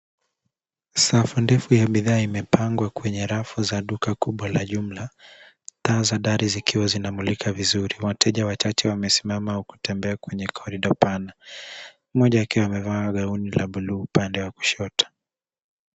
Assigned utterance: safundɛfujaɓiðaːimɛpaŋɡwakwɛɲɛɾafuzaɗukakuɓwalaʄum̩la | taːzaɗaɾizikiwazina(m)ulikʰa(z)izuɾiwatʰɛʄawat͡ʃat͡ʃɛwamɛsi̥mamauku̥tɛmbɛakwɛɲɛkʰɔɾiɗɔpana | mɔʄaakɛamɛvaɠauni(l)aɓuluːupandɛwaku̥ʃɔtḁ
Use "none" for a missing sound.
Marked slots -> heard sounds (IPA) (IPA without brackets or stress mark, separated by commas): m, v, l